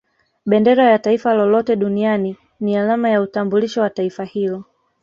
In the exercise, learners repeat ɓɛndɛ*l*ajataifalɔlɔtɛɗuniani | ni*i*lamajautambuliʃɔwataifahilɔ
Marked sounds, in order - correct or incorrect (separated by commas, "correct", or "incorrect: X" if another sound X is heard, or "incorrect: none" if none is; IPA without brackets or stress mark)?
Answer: incorrect: ɾ, incorrect: a